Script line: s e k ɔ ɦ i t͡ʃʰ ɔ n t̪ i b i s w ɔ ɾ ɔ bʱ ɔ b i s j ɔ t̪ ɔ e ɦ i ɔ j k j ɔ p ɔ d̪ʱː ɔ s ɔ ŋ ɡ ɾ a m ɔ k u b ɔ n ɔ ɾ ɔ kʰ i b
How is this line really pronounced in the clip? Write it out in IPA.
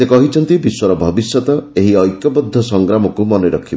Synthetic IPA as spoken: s e k ɔ ɦ i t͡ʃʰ ɔ n t̪ i b i s w ɔ ɾ ɔ bʱ ɔ b i s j ɔ t̪ ɔ e ɦ i ɔ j k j ɔ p ɔ d̪ʱː ɔ s ɔ ŋ ɡ ɾ a m ɔ k u m ɔ n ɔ ɾ ɔ kʰ i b